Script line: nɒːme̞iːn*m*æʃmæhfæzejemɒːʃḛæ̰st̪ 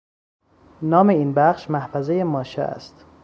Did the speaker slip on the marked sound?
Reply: yes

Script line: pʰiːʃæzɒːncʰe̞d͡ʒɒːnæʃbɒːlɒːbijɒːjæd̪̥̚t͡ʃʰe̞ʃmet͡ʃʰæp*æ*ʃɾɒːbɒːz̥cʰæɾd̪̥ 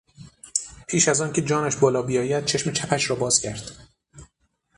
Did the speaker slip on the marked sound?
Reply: no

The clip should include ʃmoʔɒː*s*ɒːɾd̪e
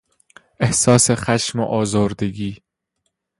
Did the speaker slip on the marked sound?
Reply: yes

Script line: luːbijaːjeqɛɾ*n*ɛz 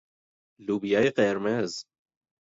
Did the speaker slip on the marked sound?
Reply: yes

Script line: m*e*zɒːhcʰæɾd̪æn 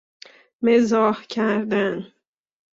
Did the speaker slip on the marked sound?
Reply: no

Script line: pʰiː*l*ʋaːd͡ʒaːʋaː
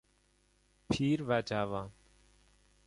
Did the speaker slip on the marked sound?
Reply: yes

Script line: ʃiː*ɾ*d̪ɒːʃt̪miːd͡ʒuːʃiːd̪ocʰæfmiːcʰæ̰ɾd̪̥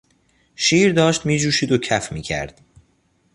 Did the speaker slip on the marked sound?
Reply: no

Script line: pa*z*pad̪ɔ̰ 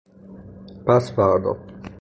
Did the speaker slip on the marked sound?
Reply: yes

